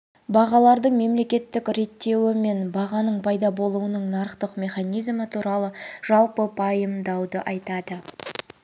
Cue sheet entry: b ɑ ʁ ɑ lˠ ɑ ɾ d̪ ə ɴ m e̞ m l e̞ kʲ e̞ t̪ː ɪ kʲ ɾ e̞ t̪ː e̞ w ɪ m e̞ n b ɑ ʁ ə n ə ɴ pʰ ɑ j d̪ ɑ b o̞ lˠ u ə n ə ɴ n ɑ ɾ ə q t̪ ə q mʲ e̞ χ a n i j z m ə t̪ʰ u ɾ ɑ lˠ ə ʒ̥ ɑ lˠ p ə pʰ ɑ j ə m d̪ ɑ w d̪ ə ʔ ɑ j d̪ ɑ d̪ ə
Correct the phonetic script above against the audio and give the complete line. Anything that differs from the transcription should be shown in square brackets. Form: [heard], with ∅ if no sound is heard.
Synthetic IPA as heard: b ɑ ʁ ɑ lˠ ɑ ɾ d̪ ə ɴ m e̞ m l e̞ kʲ e̞ t̪ː ɪ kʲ ɾ e̞ t̪ː e̞ w ɪ m e̞ n b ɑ ʁ [ɑ] n ə ɴ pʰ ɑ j d̪ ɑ b o̞ lˠ u ə n ə ɴ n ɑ ɾ ə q t̪ ə q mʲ e̞ χ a n i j z m ə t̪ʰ u ɾ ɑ lˠ ə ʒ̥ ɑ lˠ p ə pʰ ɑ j ə m d̪ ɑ w d̪ ə ʔ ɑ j [t̪] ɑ d̪ ə